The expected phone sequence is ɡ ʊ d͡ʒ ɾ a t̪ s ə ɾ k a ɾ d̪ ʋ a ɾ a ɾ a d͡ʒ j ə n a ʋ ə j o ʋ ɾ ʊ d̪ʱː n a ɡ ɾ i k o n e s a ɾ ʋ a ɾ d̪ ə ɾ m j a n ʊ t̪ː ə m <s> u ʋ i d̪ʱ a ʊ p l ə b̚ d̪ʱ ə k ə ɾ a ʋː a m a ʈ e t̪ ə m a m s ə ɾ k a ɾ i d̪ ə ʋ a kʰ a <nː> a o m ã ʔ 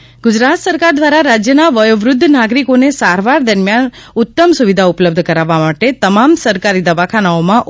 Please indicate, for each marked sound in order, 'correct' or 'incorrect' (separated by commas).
correct, incorrect